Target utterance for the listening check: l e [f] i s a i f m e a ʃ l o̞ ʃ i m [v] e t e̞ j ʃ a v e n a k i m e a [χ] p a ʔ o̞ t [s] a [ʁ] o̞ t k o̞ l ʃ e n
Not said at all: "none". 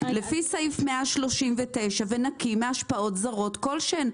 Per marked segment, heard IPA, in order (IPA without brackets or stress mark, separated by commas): f, v, ʃ, z, ʁ